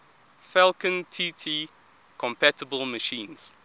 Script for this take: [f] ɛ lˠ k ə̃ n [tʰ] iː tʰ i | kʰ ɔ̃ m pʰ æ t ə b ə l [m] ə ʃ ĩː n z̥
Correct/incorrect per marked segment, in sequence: correct, correct, correct

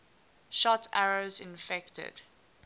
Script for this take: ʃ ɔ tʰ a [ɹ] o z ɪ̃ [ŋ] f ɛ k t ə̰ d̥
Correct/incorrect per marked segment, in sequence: correct, incorrect

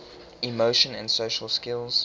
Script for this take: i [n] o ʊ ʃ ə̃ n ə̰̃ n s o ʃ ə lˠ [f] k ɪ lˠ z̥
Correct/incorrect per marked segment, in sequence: incorrect, incorrect

